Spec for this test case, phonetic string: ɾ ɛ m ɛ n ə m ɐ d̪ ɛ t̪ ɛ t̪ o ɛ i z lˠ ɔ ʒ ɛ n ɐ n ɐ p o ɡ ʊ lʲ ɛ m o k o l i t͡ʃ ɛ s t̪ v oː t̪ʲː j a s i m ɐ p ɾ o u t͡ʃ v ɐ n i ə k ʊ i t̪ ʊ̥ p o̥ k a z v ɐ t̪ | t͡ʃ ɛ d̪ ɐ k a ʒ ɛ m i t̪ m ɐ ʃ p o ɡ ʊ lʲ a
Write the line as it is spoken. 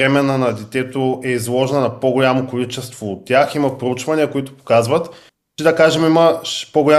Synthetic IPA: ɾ ɛ m ɛ n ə n ɐ d̪ ɛ t̪ ɛ t̪ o ɛ i z lˠ ɔ ʒ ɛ n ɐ n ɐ p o ɡ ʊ lʲ a m o k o l i t͡ʃ ɛ s t̪ v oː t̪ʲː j a x i m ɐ p ɾ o u t͡ʃ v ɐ n i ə k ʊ i t̪ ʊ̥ p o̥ k a z v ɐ t̪ | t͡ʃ ɛ d̪ ɐ k a ʒ ɛ m i m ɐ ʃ p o ɡ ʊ lʲ a